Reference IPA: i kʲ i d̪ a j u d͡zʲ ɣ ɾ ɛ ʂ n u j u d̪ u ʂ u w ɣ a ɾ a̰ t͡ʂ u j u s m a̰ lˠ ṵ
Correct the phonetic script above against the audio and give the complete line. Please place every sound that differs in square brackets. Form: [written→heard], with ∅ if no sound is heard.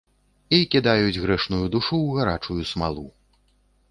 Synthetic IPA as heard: i kʲ i d̪ a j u d͡zʲ ɣ ɾ ɛ ʂ n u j u d̪ u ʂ u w ɣ a ɾ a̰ t͡ʂ u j u s m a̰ lˠ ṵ